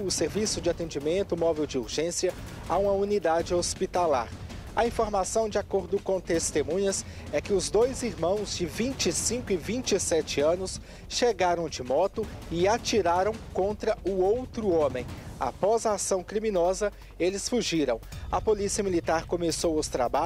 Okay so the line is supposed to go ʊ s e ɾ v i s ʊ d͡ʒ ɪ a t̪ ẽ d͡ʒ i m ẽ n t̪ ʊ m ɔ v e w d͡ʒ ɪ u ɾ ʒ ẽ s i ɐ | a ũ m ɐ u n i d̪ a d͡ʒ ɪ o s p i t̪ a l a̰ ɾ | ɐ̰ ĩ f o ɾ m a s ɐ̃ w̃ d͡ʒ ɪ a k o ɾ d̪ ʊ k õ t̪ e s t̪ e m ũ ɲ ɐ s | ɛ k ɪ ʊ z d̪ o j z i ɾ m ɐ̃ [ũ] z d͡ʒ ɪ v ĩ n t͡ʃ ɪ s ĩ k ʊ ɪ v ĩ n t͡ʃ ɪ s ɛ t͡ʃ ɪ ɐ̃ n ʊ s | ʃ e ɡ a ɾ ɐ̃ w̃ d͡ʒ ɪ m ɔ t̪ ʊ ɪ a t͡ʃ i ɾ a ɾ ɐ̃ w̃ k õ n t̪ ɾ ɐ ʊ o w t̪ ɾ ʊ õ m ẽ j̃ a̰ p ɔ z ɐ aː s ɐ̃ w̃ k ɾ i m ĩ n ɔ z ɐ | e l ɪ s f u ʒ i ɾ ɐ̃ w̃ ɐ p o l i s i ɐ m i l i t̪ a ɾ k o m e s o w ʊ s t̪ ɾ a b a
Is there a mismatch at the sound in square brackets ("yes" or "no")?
yes